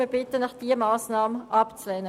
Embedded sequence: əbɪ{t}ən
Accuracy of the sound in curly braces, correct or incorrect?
correct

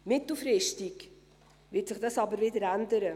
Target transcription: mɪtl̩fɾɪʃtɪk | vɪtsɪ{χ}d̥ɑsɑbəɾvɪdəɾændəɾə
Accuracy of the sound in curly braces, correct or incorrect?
correct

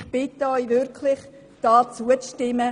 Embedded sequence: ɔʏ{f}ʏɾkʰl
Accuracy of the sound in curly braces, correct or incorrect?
incorrect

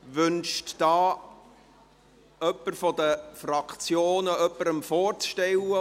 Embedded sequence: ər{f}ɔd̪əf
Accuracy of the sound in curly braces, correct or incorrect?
correct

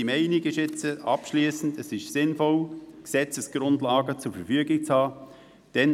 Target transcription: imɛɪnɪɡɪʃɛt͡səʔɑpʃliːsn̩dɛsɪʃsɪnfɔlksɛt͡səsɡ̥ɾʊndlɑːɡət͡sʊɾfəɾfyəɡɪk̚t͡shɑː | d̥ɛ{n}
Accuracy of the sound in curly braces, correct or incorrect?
correct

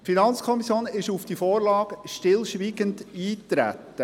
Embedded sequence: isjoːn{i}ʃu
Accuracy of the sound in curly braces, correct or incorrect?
incorrect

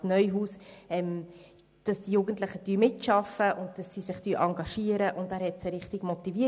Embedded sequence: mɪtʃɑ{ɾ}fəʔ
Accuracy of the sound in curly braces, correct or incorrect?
incorrect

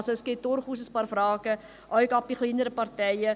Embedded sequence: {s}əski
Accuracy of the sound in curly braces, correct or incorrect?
correct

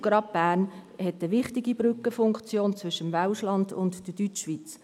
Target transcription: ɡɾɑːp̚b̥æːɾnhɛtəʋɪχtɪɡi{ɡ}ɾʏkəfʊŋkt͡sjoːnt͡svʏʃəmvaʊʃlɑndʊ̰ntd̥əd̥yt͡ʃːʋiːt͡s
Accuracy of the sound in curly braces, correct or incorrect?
incorrect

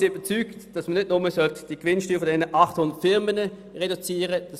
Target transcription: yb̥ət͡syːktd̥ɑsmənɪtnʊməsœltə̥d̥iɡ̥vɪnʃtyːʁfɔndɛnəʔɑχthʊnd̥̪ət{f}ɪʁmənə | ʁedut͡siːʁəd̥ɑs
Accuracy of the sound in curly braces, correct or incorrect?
correct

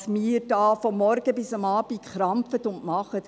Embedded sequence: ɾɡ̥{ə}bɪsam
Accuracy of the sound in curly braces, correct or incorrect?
correct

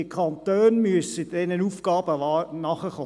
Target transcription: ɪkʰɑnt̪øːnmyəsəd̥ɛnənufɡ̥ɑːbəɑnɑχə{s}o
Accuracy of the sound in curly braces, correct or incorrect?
incorrect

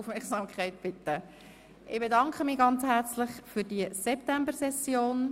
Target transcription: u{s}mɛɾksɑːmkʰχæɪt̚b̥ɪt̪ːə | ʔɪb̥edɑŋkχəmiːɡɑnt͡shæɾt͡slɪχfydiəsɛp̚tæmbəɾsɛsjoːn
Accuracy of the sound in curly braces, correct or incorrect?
incorrect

